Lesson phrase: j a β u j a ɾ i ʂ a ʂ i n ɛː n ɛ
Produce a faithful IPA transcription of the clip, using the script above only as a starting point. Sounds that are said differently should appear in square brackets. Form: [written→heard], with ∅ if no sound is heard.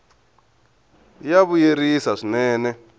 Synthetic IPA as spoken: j a β u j [a→e] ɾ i [ʂ→s] a ʂ i n ɛː n ɛ